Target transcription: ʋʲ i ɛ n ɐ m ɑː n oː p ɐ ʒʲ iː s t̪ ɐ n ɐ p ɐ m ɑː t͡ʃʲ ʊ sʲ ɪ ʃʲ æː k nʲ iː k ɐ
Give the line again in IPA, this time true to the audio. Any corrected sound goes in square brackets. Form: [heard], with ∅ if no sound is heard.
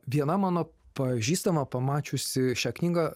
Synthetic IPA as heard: ʋʲ i ɛ n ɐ m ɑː n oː p ɐ ʒʲ iː s t̪ ɐ [m] ɐ p ɐ m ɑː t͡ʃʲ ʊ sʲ ɪ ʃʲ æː k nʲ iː [ɡ] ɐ